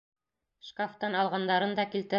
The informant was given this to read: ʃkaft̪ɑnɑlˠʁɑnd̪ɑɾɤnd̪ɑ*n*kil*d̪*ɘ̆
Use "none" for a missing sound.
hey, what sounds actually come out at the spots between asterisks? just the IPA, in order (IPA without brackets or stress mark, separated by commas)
none, t̪